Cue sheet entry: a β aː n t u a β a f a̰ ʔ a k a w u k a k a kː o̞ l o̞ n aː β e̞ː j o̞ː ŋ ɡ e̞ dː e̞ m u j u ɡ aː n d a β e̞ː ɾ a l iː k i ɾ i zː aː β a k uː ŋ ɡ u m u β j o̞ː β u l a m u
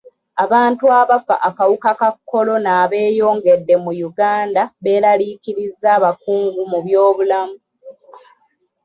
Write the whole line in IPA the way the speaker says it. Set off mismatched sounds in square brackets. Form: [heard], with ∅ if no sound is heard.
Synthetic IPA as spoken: a β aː n t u a β a f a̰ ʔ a k a w u k a k a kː o̞ l o̞ n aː β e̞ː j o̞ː ŋ ɡ e̞ dː e̞ m u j u ɡ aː n d a β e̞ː ɾ a l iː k i ɾ i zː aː β a k uː ŋ ɡ u m u β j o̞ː β u l a m u